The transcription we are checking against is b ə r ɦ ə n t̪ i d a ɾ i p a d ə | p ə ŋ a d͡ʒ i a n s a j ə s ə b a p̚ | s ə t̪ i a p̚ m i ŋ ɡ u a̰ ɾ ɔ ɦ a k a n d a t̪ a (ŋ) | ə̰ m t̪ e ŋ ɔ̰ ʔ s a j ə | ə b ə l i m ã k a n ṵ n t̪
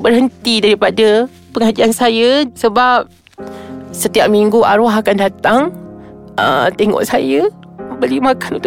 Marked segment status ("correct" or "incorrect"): correct